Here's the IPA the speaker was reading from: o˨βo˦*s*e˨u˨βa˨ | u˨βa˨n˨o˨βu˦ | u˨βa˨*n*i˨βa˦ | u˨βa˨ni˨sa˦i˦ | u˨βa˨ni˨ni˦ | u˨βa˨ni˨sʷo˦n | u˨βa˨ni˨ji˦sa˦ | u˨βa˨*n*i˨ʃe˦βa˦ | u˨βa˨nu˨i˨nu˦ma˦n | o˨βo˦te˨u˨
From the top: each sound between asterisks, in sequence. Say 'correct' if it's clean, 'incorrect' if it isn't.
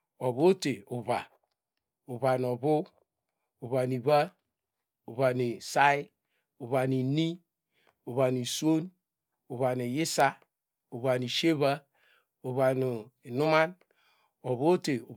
incorrect: t, correct, correct

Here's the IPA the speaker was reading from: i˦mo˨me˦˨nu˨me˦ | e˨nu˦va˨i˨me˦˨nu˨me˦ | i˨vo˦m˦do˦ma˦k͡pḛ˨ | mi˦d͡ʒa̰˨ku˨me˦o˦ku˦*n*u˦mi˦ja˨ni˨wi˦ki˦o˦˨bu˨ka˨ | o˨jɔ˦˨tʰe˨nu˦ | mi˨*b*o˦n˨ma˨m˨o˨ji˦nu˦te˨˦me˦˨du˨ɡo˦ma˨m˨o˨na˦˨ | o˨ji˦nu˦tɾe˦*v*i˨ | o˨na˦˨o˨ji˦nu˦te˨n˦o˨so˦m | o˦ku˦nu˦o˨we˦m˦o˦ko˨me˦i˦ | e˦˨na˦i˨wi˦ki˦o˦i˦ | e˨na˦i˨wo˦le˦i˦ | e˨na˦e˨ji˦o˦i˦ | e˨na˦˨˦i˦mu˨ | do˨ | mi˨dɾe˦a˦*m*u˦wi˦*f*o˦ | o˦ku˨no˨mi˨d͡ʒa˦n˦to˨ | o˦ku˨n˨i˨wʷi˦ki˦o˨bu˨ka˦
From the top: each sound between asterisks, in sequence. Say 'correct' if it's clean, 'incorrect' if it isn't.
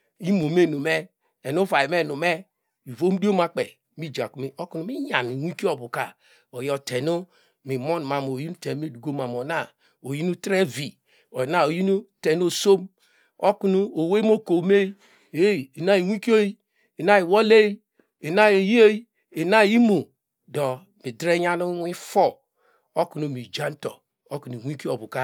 correct, incorrect: m, correct, incorrect: n, correct

